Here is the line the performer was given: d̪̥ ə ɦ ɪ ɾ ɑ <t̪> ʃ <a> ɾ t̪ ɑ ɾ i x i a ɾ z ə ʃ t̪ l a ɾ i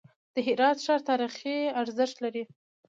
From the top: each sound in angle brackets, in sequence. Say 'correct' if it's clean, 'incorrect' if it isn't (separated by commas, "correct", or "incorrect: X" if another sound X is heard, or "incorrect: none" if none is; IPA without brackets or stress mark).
correct, incorrect: ɑ